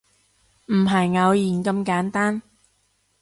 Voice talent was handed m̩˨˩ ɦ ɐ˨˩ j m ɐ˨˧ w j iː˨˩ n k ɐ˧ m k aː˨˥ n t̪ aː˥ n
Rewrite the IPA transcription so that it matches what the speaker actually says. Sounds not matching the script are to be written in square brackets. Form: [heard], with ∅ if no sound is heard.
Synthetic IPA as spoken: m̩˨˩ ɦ ɐ˨˩ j [ŋ] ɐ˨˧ w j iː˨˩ n k ɐ˧ m k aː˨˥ n t̪ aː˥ n